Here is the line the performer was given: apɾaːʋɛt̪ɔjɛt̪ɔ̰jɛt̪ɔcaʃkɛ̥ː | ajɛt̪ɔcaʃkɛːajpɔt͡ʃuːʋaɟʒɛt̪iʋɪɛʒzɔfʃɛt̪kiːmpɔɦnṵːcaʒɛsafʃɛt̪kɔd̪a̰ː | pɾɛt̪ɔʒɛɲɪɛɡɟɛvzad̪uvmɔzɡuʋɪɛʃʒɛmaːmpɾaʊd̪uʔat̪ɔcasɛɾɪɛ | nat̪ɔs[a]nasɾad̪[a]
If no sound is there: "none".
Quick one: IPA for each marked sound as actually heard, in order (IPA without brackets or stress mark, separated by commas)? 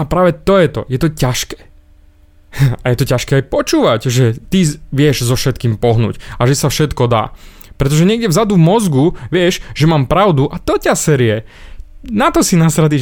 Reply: i, i